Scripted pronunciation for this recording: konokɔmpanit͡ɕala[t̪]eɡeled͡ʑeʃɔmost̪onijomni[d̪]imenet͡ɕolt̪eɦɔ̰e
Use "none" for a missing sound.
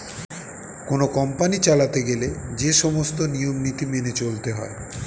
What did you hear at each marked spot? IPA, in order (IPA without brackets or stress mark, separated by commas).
t̪, t̪